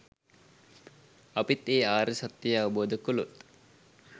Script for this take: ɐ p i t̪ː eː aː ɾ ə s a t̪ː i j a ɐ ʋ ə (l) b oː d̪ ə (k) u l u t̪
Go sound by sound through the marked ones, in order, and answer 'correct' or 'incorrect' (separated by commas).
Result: incorrect, correct